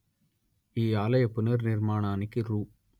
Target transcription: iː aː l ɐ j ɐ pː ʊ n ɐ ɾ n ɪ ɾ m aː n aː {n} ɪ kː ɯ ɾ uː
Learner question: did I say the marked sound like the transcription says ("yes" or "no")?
yes